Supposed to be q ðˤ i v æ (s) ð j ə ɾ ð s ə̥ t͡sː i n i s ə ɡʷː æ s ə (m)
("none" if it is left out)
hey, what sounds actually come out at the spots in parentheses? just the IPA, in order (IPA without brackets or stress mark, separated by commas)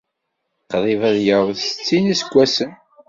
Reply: none, n